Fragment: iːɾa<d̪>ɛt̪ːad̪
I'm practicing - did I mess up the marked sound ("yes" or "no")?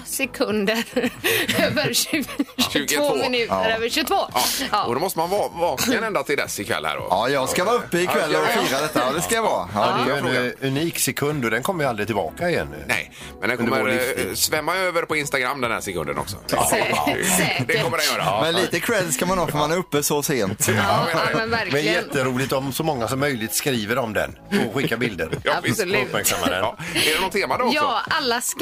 no